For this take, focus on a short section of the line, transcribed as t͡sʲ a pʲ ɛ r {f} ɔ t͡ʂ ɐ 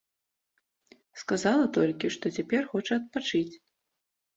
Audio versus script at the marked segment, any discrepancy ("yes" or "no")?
yes